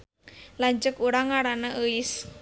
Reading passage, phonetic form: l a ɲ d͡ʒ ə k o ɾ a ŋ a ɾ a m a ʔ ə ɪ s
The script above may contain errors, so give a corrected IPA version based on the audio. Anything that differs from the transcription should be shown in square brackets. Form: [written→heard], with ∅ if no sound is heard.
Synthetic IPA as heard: l a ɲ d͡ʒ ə k [o→u] ɾ a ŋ a ɾ a [m→n] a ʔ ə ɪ s